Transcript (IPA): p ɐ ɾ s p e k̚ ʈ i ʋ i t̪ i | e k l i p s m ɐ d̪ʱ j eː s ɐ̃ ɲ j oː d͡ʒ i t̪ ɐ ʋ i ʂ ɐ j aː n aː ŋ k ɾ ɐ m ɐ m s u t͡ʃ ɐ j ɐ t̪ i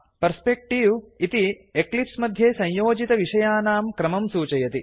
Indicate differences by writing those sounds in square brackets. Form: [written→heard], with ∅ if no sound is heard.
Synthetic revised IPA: p ɐ ɾ s p e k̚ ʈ i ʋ i t̪ i | e k l i p s m ɐ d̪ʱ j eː s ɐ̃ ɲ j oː d͡ʒ i t̪ ɐ ʋ i ʂ ɐ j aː n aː [ŋ→m] k ɾ ɐ m ɐ m s [u→uː] t͡ʃ ɐ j ɐ t̪ i

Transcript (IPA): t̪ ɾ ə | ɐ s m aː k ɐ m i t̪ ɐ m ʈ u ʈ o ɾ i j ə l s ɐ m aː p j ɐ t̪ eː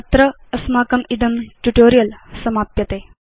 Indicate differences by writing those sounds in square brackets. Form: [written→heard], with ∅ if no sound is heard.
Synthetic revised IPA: t̪ ɾ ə | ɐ s m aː k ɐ m i [t̪→d̪] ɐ m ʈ u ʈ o ɾ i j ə l s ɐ m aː p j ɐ t̪ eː

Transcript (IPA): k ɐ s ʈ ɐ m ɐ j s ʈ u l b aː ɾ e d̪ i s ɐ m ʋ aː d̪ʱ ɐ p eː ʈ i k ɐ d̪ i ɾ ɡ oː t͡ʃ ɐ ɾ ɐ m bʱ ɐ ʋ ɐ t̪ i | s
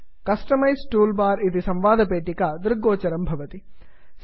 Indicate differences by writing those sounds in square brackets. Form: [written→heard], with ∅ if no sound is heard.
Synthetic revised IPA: k ɐ s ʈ ɐ m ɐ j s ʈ [u→uː] l b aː ɾ [e→i] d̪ i s ɐ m ʋ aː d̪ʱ ɐ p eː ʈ i k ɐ d̪ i ɾ ɡ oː t͡ʃ ɐ ɾ ɐ m bʱ ɐ ʋ ɐ t̪ i | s

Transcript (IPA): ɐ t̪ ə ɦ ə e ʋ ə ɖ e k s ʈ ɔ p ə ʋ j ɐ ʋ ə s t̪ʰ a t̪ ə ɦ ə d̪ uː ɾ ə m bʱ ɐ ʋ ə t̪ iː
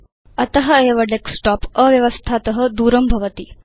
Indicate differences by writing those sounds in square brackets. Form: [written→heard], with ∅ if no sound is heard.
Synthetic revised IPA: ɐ t̪ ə ɦ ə e ʋ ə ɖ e k s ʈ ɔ p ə ʋ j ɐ ʋ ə s t̪ʰ a t̪ ə ɦ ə d̪ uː ɾ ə m bʱ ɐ ʋ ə t̪ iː

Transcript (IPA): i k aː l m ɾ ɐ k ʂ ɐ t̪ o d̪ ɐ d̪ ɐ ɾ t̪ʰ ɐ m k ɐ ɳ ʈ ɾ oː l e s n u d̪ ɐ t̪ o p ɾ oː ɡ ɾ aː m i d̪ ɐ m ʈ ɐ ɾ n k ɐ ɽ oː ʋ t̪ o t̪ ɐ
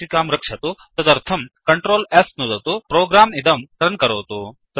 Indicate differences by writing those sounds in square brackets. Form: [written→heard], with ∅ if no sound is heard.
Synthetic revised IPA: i k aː [l→∅] m ɾ ɐ k ʂ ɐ t̪ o [d̪→t̪] ɐ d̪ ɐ ɾ t̪ʰ ɐ m k ɐ ɳ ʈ ɾ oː l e s n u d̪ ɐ t̪ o p ɾ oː ɡ ɾ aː m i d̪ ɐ m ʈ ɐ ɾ n k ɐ [ɽ→ɾ] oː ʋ t̪ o t̪ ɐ

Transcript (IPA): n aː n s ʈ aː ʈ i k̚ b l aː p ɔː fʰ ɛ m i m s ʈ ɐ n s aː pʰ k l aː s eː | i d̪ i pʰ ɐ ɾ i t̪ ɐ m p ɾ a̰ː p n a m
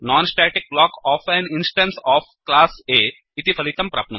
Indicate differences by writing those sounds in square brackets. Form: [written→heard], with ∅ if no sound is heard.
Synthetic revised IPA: n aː n s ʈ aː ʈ i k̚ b l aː [p→k] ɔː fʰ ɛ [m→n] i [m→n] s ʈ ɐ n s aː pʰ k l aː s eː | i [d̪→t̪] i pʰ ɐ [ɾ→l] i t̪ ɐ m p ɾ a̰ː p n [a→ɐ] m

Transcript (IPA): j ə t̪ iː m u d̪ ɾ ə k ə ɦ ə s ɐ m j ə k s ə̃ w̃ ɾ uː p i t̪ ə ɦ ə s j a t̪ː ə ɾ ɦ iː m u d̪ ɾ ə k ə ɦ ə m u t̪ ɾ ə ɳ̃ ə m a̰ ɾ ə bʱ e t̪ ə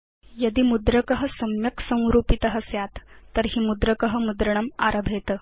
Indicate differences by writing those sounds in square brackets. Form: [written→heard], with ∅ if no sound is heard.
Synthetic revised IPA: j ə [t̪→d̪] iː m u d̪ ɾ ə k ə ɦ ə s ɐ m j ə k s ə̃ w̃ ɾ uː p i t̪ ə ɦ ə s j a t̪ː ə ɾ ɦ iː m u d̪ ɾ ə k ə ɦ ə m u [t̪→d̪] ɾ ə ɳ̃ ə m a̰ ɾ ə bʱ e t̪ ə

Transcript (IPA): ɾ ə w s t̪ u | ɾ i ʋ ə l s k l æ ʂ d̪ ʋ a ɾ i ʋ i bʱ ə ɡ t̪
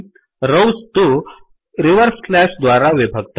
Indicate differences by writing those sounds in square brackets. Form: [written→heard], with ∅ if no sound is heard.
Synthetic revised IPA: ɾ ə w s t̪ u | ɾ i ʋ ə [l→ɾ] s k l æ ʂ d̪ ʋ a ɾ [i→a] ʋ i bʱ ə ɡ t̪

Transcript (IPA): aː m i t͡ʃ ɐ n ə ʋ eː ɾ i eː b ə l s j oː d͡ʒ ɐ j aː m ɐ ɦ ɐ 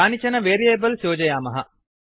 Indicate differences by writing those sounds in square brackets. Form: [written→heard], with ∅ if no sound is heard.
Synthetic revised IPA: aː [m→n] i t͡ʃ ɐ n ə ʋ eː ɾ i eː b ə l s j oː d͡ʒ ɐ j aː m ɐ ɦ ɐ

